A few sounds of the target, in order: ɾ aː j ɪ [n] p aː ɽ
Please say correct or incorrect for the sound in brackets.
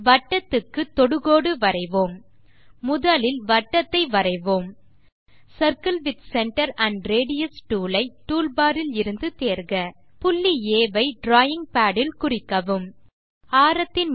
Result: incorrect